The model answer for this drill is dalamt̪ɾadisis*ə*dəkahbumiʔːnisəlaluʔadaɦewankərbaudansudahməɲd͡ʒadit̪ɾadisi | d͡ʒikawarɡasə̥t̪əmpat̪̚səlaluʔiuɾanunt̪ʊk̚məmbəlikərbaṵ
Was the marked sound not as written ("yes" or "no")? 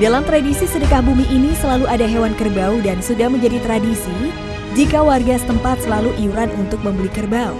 no